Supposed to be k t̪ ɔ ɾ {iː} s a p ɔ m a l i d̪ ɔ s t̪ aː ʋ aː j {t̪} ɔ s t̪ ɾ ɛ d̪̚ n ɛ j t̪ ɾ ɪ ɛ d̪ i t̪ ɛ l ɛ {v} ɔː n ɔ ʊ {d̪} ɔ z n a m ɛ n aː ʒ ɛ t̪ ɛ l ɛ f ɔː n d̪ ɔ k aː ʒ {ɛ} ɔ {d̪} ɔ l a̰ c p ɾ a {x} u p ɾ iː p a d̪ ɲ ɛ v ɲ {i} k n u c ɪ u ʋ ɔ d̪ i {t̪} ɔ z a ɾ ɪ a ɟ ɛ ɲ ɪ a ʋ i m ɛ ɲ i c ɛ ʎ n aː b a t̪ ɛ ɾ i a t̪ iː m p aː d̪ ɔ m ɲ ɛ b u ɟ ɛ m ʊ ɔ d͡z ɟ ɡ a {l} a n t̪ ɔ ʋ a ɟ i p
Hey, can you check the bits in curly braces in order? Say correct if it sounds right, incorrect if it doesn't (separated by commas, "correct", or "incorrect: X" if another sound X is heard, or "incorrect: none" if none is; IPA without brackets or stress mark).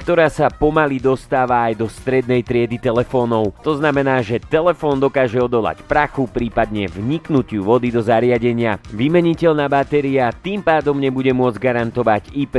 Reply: incorrect: aː, incorrect: d̪, incorrect: f, incorrect: t̪, correct, correct, correct, correct, incorrect: d̪, incorrect: ɾ